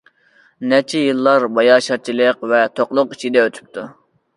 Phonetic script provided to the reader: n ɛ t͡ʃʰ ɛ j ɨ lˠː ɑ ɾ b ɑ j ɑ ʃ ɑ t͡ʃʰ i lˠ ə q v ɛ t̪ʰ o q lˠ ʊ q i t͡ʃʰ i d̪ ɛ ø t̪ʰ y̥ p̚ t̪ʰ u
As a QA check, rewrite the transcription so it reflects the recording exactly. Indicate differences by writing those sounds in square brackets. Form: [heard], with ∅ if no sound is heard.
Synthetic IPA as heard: n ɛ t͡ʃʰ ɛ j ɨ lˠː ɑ ɾ b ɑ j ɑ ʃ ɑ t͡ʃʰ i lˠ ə q v ɛ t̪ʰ o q lˠ ʊ q i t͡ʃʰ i d̪ ɛ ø t̪ʰ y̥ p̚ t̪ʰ u